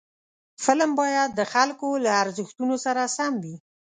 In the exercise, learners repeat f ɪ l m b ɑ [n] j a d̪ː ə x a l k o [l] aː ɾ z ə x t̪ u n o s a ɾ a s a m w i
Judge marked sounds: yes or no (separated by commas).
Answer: no, yes